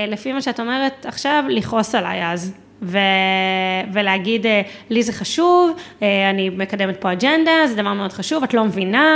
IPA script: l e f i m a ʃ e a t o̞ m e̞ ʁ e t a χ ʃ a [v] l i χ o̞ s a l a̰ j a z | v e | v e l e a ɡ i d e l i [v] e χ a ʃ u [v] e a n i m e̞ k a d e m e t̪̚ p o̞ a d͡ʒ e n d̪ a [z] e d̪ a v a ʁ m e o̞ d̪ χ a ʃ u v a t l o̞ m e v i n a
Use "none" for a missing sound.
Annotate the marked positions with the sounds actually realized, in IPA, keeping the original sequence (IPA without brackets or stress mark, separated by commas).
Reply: v, z, v, z